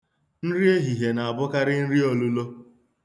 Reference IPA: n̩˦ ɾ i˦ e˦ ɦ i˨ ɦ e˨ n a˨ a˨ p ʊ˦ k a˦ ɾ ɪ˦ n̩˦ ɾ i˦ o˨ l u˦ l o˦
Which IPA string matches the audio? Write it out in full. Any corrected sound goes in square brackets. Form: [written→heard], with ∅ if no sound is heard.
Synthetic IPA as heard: n̩˦ ɾ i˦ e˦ ɦ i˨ ɦ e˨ n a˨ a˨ [p→b] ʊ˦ k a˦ ɾ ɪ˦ n̩˦ ɾ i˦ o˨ l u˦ l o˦